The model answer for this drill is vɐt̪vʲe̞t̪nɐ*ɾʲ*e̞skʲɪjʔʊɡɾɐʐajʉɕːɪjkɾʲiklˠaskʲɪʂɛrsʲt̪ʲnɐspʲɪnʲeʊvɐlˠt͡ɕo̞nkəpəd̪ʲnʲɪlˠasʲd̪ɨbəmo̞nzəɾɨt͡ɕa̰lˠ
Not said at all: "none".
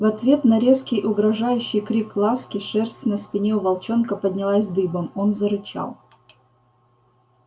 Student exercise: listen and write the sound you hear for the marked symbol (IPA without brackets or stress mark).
ɾʲ